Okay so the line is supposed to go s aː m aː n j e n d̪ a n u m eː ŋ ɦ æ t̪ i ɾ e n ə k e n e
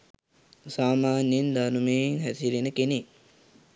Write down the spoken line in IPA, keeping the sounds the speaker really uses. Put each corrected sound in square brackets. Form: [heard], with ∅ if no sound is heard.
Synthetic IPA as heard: s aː m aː n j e n d̪ a n u m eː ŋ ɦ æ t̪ i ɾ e n ə k e n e